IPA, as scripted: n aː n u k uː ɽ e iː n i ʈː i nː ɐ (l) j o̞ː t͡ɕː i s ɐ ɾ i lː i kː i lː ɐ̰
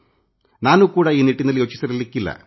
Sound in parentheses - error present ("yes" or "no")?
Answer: no